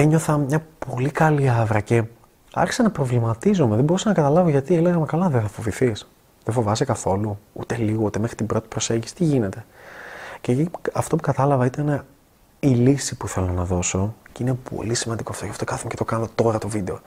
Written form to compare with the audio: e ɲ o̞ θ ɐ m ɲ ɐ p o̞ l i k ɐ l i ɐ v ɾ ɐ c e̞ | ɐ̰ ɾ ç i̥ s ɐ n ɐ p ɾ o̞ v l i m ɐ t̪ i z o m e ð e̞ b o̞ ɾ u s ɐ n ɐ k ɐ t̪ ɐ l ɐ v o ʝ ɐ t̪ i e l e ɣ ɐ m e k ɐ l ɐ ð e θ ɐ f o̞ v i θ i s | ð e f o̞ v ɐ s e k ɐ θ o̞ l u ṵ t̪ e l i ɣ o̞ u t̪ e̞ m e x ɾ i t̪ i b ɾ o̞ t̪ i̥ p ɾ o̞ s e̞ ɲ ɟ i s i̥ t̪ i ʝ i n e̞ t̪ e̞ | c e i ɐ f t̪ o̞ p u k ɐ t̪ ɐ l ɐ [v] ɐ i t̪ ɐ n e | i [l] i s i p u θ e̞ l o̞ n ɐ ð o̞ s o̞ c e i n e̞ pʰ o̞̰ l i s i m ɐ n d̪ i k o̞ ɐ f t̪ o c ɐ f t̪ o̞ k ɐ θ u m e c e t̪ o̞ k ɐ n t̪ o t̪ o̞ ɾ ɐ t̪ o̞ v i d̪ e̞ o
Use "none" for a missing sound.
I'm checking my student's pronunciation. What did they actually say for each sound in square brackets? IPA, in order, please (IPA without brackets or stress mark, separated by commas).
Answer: v, l